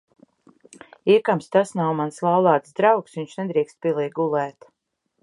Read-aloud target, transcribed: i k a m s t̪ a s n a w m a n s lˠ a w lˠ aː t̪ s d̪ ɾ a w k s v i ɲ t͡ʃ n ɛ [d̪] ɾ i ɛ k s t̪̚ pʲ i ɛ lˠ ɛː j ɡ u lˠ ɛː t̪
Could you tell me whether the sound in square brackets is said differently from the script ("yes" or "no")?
no